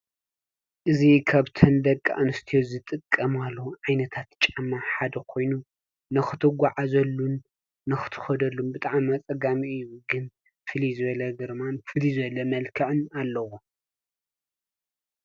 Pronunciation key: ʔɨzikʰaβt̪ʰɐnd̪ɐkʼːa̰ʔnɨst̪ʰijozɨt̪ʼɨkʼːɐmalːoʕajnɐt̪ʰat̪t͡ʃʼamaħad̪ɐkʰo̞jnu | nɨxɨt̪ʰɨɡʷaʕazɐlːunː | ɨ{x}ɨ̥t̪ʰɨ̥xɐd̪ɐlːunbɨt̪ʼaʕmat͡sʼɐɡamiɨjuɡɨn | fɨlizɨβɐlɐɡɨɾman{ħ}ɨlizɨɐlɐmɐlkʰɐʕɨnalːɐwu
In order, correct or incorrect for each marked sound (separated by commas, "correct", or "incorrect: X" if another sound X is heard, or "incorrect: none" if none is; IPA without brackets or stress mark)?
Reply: correct, incorrect: f